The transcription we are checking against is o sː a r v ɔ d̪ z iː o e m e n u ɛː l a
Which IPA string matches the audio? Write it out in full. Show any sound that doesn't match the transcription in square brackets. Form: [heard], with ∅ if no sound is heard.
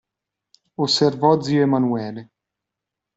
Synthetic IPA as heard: o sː [e] r v ɔ d̪ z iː o e m [a] n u ɛː l [e]